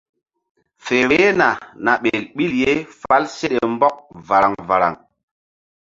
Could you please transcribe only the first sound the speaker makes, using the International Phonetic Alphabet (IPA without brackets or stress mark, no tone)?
f